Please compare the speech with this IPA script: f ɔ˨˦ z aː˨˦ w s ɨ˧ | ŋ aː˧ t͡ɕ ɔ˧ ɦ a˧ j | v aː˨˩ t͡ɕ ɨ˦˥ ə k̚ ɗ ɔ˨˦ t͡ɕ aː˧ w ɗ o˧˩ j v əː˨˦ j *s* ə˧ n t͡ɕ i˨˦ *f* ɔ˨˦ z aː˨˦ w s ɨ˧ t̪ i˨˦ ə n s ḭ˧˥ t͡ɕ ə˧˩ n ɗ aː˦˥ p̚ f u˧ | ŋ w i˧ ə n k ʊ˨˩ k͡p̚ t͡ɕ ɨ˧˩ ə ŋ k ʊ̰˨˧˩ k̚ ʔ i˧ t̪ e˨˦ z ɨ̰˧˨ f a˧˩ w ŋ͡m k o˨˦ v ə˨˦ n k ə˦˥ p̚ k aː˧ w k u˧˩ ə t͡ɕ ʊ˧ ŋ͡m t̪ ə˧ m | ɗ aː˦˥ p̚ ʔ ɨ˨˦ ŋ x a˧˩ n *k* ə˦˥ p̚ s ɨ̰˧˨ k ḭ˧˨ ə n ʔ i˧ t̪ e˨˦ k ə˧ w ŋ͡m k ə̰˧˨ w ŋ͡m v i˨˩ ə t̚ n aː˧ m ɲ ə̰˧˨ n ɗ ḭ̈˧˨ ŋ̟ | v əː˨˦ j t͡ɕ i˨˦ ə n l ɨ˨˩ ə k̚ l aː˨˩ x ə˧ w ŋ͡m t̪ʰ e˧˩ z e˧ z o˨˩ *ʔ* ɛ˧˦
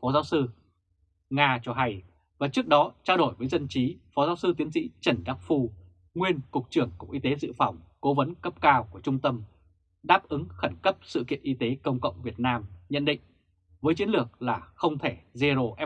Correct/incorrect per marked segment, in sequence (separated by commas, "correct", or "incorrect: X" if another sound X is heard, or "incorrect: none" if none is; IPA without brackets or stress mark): incorrect: z, correct, correct, correct